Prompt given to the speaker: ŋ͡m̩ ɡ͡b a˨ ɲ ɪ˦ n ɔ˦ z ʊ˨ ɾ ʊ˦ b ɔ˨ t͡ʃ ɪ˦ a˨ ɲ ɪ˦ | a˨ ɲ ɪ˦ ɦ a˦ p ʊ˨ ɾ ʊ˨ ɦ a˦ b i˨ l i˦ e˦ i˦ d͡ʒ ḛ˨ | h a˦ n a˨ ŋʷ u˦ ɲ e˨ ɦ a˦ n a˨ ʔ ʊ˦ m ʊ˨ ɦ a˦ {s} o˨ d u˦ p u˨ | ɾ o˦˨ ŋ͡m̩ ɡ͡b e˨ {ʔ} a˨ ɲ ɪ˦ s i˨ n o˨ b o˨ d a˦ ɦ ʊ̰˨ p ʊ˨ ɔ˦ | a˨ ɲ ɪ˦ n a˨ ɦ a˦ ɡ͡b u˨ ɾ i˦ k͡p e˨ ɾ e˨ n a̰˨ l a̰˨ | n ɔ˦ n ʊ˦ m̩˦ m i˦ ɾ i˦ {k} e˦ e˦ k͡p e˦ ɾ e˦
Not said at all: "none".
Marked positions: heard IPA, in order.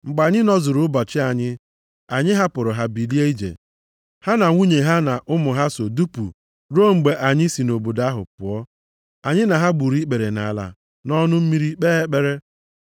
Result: s, ʔ, k͡p

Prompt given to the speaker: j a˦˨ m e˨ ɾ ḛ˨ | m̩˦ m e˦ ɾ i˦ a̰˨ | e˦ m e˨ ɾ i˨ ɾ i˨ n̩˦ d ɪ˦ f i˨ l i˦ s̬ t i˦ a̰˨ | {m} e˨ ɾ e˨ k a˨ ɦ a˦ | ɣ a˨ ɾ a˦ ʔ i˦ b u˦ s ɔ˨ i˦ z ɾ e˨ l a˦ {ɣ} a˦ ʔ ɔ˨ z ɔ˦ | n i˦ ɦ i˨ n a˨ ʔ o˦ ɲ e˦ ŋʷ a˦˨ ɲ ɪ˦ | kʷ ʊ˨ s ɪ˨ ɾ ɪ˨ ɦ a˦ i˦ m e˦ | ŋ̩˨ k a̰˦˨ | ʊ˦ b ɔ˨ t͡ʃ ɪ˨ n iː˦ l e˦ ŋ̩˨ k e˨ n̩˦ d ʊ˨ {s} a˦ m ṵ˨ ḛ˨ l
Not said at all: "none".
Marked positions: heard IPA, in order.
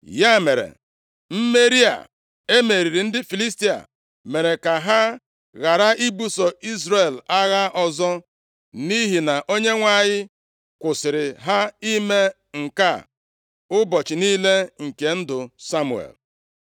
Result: m, ɣ, s

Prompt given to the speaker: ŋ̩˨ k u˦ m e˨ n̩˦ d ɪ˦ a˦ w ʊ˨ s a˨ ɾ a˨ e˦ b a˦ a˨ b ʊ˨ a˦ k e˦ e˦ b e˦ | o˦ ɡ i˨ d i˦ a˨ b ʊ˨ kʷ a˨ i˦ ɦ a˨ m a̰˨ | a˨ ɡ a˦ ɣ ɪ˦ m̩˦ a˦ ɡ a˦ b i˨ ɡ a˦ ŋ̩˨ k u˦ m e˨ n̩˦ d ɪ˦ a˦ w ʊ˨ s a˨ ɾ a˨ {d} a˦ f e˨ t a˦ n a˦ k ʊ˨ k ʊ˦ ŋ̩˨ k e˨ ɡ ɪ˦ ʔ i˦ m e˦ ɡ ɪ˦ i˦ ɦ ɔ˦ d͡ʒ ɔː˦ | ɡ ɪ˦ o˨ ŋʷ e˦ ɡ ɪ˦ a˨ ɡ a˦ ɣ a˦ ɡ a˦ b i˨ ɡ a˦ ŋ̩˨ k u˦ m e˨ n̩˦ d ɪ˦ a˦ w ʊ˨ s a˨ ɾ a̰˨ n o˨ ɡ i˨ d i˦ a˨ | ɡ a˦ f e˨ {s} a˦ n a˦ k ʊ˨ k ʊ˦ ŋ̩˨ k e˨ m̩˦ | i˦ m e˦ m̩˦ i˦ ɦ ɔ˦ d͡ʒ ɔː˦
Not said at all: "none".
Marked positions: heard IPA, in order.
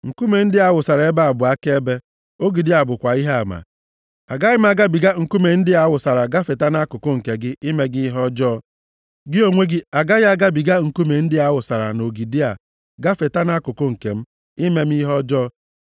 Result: ɡ, t

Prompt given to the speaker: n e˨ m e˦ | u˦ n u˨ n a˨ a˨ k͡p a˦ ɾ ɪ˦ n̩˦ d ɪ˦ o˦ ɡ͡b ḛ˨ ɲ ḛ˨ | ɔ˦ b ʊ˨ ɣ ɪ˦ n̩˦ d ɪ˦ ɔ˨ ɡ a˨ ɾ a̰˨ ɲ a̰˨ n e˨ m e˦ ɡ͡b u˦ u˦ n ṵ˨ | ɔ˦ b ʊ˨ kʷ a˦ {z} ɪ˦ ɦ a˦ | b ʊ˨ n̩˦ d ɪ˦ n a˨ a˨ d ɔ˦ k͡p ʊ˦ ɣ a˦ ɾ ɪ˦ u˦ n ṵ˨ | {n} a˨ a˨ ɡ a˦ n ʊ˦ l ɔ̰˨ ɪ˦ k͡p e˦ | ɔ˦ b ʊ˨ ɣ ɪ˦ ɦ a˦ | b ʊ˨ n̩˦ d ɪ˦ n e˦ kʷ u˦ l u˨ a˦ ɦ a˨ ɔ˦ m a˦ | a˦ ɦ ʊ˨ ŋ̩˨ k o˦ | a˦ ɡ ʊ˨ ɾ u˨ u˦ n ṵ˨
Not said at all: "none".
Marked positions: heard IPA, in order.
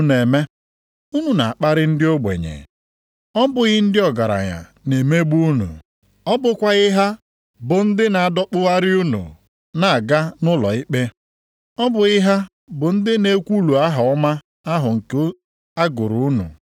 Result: ɣ, n

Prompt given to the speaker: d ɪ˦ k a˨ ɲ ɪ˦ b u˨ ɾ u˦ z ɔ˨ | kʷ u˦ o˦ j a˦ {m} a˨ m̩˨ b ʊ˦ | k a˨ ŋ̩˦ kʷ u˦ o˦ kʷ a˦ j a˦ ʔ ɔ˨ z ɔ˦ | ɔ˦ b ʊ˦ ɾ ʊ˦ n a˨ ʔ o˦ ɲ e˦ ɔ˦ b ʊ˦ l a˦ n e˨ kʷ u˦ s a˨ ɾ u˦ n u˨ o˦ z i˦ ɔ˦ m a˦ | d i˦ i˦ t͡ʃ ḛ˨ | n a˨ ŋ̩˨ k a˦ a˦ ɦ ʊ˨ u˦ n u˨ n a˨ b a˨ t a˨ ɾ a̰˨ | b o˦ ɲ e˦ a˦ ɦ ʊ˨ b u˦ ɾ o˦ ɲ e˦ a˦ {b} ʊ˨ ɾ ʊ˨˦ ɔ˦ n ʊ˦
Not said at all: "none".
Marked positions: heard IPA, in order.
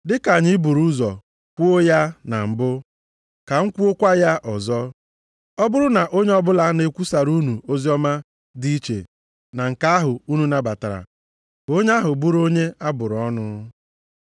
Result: n, b

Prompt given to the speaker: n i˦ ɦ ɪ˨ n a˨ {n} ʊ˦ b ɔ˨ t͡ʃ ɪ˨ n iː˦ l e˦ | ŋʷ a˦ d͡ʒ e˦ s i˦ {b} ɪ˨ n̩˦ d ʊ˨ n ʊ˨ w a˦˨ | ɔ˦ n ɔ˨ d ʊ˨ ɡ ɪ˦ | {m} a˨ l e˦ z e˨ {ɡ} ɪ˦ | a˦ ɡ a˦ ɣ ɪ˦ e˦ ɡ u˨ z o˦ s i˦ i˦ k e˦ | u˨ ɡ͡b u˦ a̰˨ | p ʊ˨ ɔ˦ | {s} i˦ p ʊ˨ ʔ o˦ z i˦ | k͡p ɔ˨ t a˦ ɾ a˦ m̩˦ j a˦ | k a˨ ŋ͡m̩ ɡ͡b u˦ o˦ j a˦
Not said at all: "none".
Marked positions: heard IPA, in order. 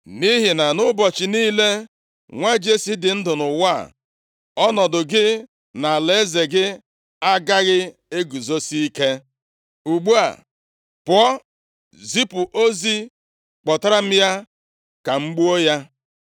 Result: n, d, n, ɡ, z

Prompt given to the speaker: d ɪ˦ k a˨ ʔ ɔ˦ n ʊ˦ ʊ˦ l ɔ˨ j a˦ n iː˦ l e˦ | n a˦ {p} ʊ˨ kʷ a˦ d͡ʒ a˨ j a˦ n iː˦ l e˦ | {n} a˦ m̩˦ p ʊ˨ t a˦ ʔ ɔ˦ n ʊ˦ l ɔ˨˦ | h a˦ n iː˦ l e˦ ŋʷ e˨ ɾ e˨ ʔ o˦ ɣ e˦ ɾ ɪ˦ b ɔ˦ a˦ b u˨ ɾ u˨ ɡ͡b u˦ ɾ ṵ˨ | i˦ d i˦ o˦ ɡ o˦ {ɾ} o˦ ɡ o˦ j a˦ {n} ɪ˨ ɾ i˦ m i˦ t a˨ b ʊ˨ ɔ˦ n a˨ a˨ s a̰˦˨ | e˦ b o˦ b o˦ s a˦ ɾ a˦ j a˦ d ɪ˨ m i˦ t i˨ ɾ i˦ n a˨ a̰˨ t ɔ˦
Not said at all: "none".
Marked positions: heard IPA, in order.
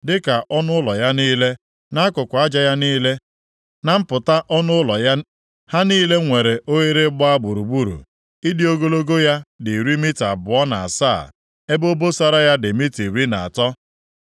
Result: k, n, l, d

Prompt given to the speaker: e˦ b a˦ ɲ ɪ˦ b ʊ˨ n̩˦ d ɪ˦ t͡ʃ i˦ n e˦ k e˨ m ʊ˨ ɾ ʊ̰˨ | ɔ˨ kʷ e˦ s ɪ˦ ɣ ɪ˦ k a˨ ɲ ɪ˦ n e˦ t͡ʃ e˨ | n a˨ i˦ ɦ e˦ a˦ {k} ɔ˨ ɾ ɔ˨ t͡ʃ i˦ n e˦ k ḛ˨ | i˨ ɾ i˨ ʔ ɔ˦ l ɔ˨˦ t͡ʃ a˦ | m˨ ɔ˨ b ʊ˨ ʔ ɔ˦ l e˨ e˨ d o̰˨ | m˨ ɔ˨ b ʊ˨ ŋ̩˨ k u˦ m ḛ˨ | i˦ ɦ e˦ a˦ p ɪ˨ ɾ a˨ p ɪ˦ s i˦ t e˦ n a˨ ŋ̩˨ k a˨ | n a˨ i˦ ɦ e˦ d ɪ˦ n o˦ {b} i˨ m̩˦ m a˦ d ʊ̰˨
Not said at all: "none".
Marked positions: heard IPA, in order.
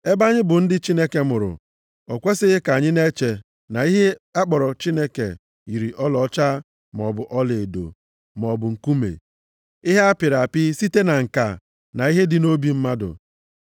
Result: k͡p, b

